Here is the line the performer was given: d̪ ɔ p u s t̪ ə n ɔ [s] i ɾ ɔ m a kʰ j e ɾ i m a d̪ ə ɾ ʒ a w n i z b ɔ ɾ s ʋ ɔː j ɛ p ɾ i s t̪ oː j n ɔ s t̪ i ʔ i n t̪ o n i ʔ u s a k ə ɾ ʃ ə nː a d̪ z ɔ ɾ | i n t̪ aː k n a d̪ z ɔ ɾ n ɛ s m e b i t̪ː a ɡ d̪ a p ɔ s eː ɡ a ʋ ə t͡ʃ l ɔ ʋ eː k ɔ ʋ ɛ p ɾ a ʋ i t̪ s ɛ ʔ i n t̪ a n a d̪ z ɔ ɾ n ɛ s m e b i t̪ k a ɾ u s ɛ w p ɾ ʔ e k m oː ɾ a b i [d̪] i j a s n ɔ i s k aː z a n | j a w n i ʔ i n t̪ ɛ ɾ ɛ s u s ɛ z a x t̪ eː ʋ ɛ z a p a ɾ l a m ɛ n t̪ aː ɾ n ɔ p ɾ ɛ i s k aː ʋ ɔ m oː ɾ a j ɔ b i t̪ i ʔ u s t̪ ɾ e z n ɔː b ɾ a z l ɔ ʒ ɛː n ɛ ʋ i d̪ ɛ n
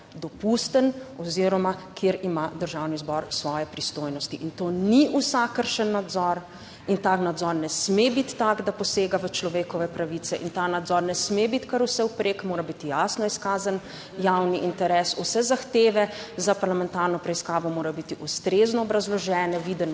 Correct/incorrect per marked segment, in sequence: incorrect: z, incorrect: t̪

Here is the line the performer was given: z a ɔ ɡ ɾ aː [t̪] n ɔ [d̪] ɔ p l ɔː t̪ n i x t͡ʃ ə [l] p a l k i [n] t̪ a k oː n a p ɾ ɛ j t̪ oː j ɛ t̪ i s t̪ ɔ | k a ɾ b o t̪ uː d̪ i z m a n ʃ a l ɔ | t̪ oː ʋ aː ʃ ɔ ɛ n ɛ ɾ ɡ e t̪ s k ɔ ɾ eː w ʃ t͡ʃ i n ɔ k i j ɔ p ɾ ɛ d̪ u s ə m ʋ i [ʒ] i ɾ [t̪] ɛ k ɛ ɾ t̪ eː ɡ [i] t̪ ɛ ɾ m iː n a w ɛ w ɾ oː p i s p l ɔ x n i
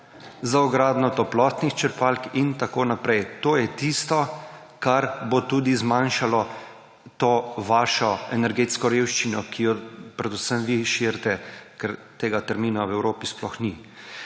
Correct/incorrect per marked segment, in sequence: incorrect: d̪, incorrect: t̪, incorrect: ɾ, correct, incorrect: ʃ, correct, incorrect: a

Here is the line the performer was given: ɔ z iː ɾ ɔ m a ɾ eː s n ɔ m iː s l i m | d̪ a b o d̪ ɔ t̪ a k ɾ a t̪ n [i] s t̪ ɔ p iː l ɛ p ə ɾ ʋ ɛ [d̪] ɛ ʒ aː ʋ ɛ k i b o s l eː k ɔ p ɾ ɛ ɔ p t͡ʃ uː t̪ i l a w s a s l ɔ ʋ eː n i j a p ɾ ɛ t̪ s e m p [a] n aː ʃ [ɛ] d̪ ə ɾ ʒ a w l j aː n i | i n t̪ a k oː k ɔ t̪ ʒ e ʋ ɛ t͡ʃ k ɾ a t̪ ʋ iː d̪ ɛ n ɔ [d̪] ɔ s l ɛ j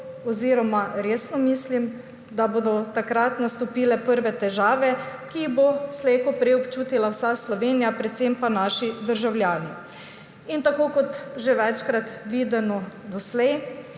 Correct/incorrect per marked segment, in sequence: incorrect: a, incorrect: t̪, correct, incorrect: i, correct

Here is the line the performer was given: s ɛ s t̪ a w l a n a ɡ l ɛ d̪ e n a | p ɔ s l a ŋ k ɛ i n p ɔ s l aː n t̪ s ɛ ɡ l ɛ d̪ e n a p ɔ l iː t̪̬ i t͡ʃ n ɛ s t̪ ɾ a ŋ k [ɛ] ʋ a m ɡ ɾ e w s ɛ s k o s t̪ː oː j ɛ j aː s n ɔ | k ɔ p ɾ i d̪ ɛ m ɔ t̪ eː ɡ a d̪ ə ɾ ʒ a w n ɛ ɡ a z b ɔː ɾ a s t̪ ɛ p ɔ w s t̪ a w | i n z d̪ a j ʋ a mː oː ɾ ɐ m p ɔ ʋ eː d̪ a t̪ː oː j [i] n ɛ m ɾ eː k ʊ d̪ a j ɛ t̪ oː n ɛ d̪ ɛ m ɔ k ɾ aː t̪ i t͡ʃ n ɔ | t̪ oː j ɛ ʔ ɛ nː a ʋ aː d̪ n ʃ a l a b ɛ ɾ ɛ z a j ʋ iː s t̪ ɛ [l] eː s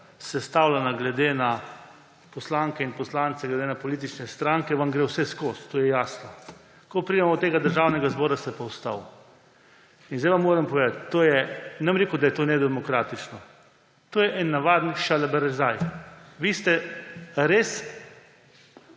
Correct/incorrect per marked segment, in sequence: correct, incorrect: ɛ, incorrect: ɾ

